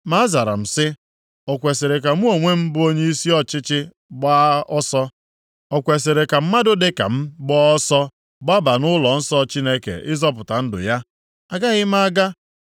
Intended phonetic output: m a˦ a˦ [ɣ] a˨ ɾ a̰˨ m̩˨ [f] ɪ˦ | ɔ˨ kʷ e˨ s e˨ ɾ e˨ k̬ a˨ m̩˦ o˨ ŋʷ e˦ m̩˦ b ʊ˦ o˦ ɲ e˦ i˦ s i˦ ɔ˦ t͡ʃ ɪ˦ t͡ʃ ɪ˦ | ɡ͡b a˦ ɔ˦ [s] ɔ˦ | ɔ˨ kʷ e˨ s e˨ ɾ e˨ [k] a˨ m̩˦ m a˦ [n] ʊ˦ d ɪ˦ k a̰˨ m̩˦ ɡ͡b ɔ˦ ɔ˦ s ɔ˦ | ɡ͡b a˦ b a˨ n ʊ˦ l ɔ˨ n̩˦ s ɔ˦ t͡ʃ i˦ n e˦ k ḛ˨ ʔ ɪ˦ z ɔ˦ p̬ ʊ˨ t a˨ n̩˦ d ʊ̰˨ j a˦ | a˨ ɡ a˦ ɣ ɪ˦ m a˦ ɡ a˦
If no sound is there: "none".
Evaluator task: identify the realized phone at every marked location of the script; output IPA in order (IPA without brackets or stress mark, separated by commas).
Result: z, s, s, k, d